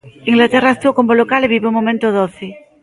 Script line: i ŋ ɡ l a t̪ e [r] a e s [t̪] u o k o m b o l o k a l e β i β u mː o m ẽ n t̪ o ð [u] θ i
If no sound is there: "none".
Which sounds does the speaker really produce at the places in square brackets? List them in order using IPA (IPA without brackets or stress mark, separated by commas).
r, t̪, o